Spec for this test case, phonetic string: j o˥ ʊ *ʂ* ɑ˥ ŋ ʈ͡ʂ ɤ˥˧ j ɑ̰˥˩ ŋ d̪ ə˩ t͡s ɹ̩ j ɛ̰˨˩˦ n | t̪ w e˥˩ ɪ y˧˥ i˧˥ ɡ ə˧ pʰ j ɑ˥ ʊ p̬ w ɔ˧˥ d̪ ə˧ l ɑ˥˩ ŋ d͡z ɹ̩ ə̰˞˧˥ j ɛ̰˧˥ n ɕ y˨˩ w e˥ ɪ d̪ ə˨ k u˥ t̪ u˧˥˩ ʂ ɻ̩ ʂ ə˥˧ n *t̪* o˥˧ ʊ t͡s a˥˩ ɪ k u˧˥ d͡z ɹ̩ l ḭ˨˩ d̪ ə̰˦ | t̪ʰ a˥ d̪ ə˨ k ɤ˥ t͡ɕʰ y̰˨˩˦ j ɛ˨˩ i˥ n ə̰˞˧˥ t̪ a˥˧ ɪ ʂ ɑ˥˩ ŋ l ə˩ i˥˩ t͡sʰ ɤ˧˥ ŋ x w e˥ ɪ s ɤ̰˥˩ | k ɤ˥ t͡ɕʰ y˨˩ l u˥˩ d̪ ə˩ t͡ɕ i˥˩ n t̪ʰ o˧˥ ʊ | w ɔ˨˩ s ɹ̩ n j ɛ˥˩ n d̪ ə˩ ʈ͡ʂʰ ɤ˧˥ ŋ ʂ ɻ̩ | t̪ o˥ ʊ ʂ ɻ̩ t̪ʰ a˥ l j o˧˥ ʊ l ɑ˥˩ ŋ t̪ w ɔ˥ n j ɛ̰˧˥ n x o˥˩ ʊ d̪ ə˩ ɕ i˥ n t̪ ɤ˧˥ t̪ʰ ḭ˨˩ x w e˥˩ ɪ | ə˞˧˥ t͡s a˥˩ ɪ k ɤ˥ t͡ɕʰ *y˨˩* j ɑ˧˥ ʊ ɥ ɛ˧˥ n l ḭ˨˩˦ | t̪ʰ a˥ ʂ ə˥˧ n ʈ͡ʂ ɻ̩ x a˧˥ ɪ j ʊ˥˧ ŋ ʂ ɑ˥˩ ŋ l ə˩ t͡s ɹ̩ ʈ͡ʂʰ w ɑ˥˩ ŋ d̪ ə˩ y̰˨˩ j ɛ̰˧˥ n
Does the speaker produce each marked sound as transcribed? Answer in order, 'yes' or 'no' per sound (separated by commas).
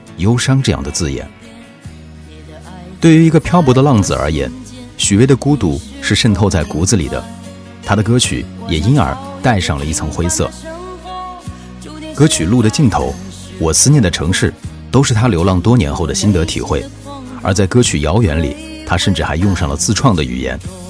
yes, no, yes